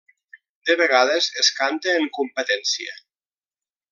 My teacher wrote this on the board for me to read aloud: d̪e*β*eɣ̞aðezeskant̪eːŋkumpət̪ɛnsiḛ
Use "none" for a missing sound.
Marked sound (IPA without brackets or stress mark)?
β